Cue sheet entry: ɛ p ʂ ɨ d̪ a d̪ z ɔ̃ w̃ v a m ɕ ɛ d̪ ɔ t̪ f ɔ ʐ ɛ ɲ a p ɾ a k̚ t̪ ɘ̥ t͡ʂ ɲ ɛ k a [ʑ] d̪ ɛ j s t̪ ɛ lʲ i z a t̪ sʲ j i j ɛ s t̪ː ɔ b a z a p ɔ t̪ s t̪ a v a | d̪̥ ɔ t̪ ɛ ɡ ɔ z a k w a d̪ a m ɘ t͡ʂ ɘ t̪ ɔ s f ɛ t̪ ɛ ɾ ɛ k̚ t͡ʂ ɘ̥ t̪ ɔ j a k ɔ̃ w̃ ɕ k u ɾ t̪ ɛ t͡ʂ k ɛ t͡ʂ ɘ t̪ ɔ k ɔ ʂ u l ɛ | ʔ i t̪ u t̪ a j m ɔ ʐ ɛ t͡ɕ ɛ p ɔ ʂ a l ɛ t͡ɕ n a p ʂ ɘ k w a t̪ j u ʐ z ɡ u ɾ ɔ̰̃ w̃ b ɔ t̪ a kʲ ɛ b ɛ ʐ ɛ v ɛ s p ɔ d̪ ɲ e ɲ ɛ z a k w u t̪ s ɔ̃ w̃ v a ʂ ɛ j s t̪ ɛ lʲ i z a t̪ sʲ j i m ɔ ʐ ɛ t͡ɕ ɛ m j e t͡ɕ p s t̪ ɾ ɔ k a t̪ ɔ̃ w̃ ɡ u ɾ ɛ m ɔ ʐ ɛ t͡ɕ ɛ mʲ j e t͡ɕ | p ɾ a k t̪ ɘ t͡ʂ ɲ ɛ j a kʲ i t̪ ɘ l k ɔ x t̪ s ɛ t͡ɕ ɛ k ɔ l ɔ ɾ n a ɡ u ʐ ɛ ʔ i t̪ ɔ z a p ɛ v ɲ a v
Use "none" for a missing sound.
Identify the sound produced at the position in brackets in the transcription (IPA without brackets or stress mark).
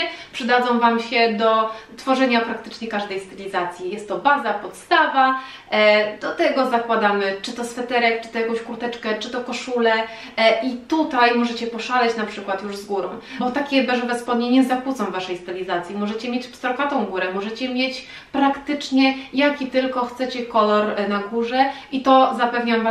ʐ